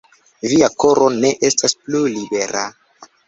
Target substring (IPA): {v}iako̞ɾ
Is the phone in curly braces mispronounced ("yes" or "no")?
no